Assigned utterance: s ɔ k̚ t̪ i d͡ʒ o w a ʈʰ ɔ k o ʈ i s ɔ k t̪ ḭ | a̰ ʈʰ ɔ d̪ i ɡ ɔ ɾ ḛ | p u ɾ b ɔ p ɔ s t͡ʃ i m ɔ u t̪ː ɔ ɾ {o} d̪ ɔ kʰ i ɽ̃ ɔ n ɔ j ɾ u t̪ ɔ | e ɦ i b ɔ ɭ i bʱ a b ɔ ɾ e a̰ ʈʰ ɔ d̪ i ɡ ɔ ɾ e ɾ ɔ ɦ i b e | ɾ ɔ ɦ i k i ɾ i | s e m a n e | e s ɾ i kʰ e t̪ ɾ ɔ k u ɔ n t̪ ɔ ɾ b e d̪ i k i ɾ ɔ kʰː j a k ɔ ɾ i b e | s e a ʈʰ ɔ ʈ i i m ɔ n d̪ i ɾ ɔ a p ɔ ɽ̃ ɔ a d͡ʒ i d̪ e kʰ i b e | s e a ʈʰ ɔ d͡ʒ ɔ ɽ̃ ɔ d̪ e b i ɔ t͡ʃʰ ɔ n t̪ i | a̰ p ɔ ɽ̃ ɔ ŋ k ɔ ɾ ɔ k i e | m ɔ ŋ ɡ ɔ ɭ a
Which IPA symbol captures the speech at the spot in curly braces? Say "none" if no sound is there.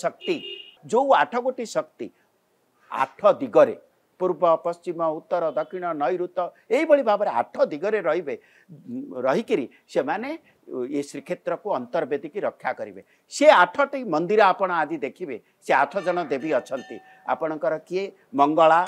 ɔ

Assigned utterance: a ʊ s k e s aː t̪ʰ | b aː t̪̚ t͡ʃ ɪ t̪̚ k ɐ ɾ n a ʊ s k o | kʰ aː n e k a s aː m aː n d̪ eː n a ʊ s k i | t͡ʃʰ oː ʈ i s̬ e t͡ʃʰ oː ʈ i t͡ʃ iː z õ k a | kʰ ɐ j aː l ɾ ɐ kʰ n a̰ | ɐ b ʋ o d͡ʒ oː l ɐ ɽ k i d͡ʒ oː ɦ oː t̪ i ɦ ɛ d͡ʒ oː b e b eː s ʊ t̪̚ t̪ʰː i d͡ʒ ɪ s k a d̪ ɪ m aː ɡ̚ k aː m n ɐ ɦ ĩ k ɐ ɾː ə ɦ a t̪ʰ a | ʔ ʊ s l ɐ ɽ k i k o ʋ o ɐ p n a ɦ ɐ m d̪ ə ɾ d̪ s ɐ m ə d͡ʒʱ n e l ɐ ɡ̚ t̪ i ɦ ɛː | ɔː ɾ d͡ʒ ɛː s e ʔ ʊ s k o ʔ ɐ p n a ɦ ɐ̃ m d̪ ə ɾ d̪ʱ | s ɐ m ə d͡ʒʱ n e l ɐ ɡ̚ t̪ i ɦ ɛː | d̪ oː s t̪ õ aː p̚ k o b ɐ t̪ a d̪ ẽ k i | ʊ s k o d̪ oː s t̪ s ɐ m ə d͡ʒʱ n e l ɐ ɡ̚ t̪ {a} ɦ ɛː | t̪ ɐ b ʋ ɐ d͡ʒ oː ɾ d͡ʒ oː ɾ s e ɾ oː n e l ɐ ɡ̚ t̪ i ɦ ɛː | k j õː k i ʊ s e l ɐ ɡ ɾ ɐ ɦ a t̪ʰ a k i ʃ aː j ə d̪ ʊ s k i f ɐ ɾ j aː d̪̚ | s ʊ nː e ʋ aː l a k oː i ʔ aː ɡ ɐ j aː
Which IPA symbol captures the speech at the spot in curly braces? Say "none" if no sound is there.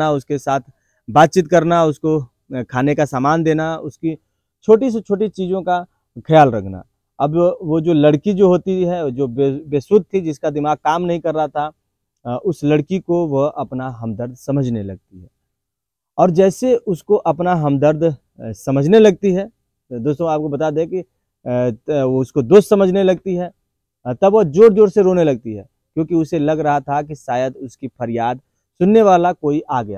i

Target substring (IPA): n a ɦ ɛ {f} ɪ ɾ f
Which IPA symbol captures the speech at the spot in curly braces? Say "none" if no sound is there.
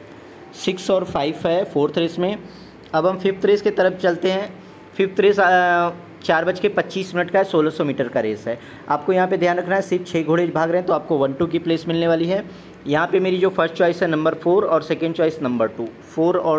s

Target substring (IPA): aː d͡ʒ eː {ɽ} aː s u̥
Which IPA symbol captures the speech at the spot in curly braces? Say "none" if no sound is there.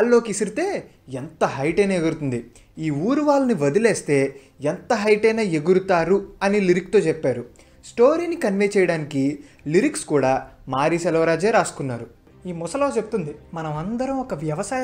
ɾ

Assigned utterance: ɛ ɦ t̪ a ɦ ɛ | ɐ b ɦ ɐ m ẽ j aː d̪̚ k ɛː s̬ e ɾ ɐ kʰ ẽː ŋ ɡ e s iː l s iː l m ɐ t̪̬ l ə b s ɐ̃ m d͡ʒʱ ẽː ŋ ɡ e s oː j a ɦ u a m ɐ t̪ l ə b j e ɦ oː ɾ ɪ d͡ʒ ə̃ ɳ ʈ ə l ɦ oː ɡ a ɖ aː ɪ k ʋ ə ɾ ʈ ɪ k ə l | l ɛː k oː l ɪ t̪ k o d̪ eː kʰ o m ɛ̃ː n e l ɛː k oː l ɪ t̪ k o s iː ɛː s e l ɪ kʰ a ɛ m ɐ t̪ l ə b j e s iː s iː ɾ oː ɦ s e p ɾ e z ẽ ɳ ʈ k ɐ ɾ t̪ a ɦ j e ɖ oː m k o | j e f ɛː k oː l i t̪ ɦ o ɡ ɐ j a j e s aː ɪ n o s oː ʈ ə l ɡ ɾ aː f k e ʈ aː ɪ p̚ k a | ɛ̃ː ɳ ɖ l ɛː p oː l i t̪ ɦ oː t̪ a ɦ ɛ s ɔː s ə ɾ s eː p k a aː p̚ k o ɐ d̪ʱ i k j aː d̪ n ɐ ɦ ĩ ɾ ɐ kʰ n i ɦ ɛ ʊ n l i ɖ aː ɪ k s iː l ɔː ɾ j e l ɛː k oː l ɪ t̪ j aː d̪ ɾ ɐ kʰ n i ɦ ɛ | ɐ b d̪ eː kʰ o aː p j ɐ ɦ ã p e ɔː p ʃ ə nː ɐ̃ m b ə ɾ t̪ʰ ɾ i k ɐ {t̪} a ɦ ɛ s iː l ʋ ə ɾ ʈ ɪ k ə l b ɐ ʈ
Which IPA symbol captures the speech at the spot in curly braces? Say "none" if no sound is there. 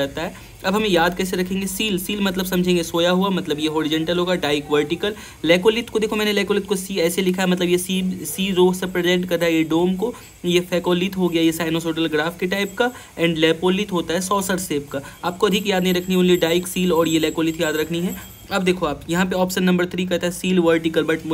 t̪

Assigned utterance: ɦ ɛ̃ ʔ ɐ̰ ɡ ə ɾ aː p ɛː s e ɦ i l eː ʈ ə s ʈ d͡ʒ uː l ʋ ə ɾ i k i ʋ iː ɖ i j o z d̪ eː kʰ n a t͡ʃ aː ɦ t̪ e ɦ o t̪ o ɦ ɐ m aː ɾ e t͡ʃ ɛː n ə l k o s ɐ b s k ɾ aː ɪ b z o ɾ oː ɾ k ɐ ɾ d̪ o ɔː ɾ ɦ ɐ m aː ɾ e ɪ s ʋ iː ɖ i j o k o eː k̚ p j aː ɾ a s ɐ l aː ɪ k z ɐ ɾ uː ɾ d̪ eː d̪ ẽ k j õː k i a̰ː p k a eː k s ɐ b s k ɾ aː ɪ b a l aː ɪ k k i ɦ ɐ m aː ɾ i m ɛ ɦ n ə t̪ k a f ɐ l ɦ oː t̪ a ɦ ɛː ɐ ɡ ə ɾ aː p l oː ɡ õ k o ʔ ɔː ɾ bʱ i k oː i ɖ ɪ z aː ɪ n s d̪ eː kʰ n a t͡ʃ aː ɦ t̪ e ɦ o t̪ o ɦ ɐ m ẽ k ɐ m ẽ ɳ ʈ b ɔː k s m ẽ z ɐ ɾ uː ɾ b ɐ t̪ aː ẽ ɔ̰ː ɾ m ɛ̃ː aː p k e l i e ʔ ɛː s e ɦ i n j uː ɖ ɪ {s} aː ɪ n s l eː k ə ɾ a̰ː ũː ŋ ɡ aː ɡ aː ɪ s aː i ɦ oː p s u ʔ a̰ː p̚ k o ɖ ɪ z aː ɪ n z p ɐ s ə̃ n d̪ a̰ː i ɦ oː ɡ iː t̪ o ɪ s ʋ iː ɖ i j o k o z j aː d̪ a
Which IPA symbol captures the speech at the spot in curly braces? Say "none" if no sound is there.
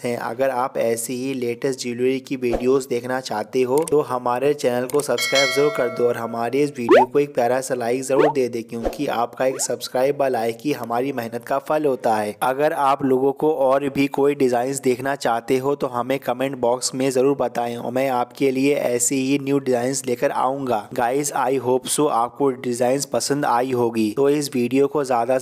z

